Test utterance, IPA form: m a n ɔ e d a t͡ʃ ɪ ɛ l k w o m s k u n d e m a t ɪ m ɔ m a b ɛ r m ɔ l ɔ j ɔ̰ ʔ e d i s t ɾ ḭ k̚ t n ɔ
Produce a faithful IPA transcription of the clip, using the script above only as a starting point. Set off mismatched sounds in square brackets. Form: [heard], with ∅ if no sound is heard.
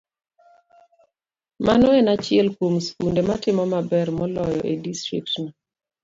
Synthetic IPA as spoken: m a n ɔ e [n] a t͡ʃ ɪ ɛ l k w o m s k u n d e m a t ɪ m ɔ m a b ɛ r m ɔ l ɔ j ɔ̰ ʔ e d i s t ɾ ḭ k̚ t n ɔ